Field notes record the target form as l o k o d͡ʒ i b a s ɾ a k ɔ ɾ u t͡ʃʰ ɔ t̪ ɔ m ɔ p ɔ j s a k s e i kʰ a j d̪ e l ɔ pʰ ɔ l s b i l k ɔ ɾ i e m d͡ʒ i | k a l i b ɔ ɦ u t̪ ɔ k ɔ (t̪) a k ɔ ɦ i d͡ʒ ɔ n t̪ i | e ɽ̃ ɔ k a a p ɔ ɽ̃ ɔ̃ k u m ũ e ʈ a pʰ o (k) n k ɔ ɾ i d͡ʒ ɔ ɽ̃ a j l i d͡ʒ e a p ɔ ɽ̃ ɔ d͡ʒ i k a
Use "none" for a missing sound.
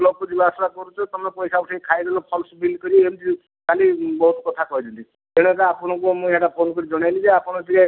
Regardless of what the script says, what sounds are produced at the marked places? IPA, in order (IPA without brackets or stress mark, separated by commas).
t̪ʰ, none